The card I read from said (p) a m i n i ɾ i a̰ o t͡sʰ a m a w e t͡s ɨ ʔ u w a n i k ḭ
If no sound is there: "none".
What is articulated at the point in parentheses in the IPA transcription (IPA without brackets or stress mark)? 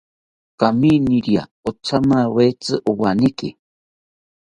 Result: k